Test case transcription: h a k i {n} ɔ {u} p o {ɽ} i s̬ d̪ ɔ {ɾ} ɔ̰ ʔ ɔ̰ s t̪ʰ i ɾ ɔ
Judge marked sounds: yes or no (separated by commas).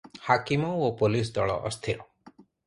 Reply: no, no, no, no